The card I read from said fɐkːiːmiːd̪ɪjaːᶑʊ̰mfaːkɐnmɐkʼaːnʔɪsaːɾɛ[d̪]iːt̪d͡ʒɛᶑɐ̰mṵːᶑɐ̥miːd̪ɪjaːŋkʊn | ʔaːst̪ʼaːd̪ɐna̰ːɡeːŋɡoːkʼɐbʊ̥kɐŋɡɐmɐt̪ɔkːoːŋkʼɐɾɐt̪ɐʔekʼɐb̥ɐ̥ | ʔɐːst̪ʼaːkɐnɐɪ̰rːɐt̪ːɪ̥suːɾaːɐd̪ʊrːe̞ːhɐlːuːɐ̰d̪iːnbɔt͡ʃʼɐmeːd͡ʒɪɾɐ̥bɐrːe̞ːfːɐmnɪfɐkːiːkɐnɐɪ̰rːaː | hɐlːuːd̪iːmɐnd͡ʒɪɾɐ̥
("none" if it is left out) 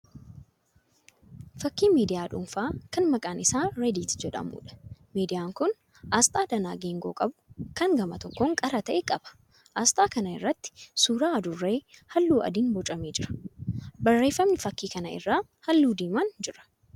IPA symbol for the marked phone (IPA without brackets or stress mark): d̪